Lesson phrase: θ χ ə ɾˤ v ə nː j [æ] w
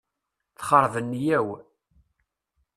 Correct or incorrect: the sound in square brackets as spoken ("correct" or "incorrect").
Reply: correct